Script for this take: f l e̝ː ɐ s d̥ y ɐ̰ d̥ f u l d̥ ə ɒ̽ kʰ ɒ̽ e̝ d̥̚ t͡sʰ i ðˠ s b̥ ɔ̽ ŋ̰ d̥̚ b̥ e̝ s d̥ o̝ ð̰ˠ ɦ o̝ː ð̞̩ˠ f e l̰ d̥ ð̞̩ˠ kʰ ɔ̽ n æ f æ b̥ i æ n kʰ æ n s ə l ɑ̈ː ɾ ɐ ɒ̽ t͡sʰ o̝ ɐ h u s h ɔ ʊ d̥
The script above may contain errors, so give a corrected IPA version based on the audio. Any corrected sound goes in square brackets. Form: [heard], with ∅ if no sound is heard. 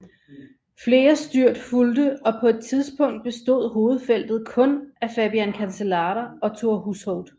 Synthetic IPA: f l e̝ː ɐ s d̥ y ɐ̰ d̥ f u l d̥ ə ɒ̽ [pʰ] ɒ̽ e̝ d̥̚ t͡sʰ i ðˠ s b̥ ɔ̽ ŋ̰ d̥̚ b̥ e̝ s d̥ o̝ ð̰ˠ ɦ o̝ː ð̞̩ˠ f e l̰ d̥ ð̞̩ˠ kʰ ɔ̽ n æ f æ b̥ i æ n kʰ æ n s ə l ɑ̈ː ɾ ɐ ɒ̽ t͡sʰ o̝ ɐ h u s h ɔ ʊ d̥